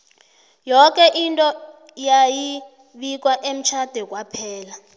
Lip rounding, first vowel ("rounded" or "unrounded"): rounded